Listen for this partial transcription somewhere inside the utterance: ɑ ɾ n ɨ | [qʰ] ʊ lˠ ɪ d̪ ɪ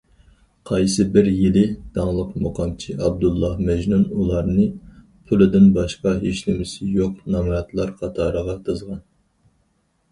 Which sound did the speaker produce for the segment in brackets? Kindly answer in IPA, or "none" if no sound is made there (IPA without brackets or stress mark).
pʰ